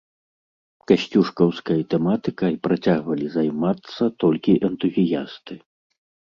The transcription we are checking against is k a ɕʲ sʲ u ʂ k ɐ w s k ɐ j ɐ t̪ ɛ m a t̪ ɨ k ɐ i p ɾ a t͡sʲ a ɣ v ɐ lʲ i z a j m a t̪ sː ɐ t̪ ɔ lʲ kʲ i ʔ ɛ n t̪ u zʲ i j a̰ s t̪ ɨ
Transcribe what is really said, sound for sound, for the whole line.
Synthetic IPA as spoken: k a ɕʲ t͡sʲ u ʂ k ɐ w s k ɐ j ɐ t̪ ɛ m a t̪ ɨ k ɐ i p ɾ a t͡sʲ a ɣ v ɐ lʲ i z a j m a t̪ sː ɐ t̪ ɔ lʲ kʲ i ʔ ɛ n t̪ u zʲ i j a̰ s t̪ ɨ